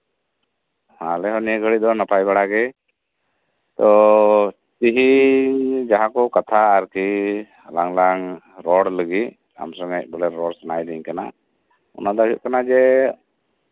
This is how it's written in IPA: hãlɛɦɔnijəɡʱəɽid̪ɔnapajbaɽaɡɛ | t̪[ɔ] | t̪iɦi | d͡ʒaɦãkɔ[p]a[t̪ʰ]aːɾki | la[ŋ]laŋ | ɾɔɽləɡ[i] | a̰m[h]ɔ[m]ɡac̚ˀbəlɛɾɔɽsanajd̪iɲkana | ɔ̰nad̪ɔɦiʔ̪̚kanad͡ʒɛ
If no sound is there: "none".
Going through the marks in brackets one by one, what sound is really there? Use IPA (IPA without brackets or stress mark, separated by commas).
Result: ɔ, k, t̪ʰ, ŋ, i, s, ŋ